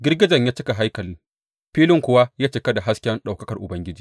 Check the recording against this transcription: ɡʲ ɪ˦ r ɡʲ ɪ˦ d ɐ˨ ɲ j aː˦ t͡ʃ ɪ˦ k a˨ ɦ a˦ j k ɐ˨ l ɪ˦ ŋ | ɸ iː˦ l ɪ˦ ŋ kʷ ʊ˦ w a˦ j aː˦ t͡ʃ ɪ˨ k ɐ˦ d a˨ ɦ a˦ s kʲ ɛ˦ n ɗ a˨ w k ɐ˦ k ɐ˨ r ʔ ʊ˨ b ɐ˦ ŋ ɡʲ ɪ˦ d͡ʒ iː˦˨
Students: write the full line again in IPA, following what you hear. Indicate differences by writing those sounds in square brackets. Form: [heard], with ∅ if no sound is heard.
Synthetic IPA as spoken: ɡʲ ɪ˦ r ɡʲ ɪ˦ [d͡ʒ] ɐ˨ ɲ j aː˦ t͡ʃ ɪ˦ k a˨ ɦ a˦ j k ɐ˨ l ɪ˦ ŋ | ɸ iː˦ l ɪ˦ ŋ kʷ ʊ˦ w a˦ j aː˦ t͡ʃ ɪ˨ k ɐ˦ d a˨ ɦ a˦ s kʲ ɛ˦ n ɗ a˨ w k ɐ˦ k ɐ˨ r ʔ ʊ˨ b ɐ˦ ŋ ɡʲ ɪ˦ d͡ʒ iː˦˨